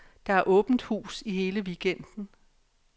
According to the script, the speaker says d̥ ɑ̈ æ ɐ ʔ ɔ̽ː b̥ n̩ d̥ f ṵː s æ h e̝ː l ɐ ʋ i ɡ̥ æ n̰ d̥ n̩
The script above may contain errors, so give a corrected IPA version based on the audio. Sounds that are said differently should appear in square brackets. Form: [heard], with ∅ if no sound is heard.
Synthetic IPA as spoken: d̥ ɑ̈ æ ɐ ʔ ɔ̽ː b̥ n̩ d̥ [h] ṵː s [i] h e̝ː l [ə] ʋ i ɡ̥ [e] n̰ d̥ n̩